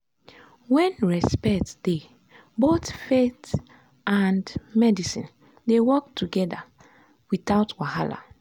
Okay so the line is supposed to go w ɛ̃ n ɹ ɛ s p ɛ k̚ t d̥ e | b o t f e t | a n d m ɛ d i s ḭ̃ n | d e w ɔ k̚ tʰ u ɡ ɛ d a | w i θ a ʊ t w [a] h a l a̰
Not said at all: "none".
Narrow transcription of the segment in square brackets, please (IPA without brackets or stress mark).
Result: a